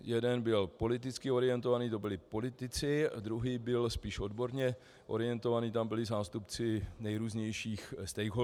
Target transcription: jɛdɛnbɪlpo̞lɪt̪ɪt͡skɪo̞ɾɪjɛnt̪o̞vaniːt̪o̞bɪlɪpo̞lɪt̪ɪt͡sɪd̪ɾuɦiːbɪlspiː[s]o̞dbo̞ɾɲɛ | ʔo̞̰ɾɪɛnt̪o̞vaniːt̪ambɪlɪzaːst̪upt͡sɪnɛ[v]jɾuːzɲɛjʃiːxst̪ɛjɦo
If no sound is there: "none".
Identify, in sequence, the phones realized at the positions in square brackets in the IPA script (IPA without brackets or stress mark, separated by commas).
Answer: ʃ, none